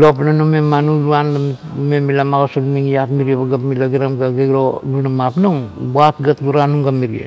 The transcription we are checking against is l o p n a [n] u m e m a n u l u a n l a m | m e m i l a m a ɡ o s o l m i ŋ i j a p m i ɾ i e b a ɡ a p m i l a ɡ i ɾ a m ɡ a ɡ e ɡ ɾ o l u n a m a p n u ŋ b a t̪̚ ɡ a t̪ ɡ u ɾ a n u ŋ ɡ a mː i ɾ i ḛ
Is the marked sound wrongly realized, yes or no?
no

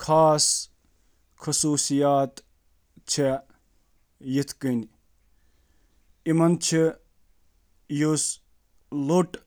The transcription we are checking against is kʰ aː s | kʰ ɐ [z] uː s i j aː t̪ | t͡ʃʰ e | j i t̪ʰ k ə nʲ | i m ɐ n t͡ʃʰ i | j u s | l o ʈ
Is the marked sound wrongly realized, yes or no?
yes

